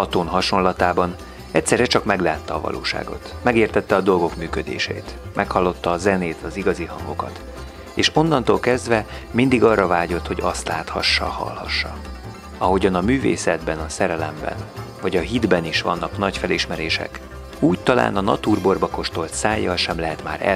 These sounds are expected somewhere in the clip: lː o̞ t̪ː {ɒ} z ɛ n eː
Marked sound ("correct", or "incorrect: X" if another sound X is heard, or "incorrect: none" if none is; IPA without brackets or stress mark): incorrect: ɒː